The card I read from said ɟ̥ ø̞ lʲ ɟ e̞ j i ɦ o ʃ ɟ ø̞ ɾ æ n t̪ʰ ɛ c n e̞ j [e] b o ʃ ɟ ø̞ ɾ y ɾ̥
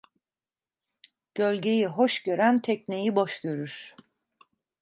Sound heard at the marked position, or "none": i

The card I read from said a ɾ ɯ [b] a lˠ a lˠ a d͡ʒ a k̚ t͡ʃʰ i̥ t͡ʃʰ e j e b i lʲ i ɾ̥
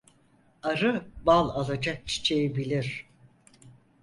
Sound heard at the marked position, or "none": b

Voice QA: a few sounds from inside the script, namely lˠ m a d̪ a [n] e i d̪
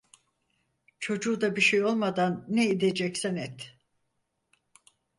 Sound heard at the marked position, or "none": nː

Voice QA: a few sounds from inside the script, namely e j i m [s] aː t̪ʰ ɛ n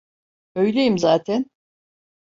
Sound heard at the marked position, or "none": z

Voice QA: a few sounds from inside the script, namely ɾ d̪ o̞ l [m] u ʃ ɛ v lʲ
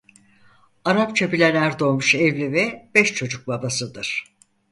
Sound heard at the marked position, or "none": m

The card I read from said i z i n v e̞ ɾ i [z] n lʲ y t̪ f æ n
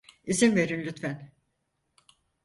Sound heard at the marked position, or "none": none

